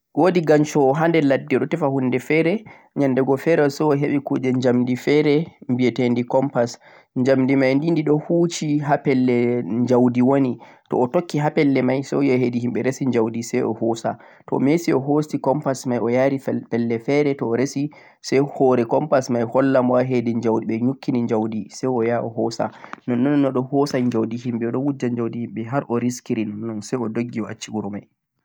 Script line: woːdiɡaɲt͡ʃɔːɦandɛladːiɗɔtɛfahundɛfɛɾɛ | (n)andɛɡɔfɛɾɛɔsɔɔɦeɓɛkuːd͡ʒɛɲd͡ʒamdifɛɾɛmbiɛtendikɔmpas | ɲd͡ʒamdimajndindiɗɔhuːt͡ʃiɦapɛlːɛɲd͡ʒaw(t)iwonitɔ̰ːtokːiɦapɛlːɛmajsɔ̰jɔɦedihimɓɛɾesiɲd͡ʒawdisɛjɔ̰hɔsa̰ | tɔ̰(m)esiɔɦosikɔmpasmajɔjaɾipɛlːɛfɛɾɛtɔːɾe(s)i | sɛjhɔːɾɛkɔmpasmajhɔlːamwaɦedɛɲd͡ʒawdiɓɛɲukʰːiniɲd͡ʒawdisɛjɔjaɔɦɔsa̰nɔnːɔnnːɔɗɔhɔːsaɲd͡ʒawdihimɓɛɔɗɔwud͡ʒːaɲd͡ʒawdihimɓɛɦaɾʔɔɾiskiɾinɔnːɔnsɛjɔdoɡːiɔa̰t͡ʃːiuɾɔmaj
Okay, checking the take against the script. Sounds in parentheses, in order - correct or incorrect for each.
incorrect, incorrect, correct, correct

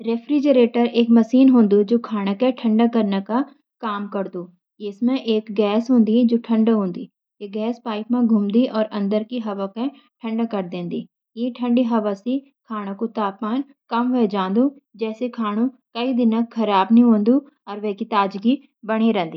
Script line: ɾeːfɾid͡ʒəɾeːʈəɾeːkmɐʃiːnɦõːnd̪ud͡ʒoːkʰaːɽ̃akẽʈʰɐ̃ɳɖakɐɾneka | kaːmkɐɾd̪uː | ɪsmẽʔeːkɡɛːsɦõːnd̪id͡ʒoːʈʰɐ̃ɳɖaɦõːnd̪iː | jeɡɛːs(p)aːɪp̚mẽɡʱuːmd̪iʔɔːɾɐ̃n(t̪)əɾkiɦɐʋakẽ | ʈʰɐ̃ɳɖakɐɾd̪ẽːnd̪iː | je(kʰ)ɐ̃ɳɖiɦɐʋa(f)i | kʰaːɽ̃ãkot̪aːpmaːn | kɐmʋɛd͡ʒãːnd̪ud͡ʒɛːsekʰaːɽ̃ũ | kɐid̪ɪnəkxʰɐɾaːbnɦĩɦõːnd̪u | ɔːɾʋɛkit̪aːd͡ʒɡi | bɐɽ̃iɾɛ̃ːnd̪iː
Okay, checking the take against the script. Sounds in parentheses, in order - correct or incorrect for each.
correct, incorrect, incorrect, incorrect

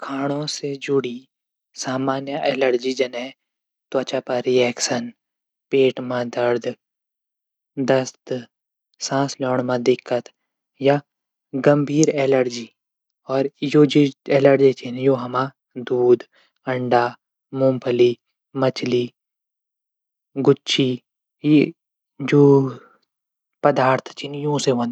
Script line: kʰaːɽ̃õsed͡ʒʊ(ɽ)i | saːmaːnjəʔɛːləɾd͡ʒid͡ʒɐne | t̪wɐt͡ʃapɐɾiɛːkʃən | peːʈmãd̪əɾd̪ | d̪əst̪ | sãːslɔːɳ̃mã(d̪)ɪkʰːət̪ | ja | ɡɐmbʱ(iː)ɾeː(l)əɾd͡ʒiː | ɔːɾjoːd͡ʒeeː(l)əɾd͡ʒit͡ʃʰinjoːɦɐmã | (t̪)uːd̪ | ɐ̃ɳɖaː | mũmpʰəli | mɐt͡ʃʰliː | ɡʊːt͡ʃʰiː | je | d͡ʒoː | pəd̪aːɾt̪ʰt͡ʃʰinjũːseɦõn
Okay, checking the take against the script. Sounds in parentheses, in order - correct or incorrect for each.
correct, correct, correct, correct, correct, incorrect

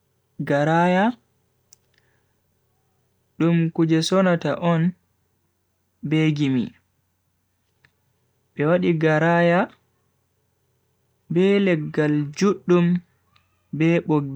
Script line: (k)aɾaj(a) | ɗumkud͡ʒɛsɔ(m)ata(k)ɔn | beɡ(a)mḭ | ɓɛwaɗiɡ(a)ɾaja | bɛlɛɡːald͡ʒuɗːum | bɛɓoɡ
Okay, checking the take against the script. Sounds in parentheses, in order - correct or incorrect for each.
incorrect, correct, incorrect, incorrect, incorrect, correct

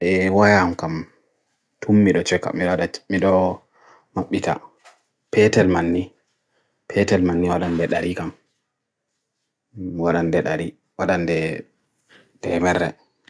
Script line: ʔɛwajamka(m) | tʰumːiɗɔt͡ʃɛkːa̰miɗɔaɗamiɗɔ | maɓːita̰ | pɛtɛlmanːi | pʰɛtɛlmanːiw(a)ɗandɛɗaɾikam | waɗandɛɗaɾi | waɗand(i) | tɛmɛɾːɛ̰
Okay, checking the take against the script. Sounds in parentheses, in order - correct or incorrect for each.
correct, correct, incorrect

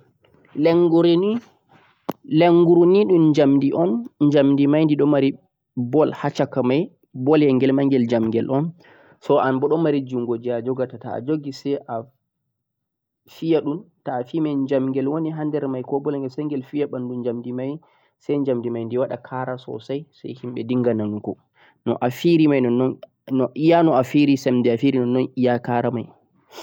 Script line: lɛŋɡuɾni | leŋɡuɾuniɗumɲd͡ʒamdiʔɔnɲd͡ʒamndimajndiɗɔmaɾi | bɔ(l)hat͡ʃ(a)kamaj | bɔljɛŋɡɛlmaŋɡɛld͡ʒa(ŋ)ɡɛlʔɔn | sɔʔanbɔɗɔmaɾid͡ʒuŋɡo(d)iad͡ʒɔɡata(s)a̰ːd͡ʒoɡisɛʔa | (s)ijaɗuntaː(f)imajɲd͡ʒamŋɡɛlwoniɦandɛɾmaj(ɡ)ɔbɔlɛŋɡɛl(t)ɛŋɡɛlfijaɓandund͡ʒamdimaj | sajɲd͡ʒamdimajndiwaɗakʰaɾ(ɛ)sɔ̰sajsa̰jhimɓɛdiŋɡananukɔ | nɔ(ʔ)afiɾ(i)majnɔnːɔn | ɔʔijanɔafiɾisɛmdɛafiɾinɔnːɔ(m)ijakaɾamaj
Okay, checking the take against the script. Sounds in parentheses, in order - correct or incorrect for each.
correct, correct, incorrect, incorrect, incorrect, incorrect, correct, incorrect, incorrect, incorrect, correct, correct, incorrect

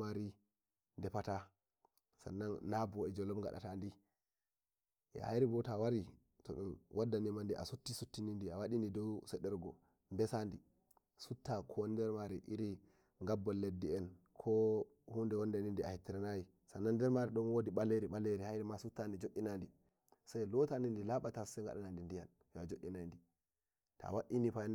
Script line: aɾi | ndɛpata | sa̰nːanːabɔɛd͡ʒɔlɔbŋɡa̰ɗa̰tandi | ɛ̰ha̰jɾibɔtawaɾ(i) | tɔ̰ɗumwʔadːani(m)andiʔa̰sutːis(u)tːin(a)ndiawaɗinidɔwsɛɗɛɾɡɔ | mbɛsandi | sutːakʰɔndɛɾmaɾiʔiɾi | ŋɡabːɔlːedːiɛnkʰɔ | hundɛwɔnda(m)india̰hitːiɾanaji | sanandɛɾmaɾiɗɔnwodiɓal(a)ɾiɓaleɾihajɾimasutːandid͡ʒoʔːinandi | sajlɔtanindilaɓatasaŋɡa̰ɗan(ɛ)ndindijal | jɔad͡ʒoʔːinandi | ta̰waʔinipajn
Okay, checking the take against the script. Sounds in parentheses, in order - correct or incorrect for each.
correct, correct, correct, incorrect, incorrect, incorrect, incorrect

